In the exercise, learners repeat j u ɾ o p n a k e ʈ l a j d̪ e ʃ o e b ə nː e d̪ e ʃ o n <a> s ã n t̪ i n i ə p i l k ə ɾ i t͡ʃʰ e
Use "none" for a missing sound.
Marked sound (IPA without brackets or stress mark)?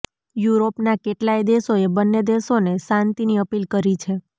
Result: e